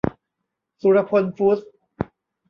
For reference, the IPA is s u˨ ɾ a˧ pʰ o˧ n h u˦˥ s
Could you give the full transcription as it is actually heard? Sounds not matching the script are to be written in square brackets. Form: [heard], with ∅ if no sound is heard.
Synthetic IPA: s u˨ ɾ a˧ pʰ o˧ n [f] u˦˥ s

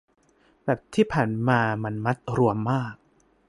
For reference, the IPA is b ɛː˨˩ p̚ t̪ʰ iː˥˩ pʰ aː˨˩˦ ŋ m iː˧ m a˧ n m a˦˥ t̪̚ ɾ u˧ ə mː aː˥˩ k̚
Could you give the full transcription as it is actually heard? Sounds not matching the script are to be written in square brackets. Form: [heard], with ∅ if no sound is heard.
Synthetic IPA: b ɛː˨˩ p̚ t̪ʰ iː˥˩ pʰ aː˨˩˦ [n] m [aː˧] m a˧ n m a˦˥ t̪̚ ɾ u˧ ə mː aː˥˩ k̚

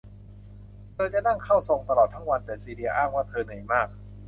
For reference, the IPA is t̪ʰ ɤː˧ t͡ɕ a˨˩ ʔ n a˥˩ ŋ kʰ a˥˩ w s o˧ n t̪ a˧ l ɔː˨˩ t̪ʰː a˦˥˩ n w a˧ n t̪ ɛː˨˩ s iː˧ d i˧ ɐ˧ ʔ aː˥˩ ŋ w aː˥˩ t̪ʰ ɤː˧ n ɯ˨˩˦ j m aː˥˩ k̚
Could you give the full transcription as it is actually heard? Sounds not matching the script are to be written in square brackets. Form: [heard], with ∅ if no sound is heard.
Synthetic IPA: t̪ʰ ɤː˧ t͡ɕ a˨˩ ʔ n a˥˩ ŋ kʰ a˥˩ w s o˧ [ŋ] t̪ a˧ l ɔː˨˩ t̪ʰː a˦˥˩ [ŋ] w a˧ n t̪ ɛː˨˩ s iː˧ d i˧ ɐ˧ ʔ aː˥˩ ŋ w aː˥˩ t̪ʰ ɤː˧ n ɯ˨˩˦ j m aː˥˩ k̚

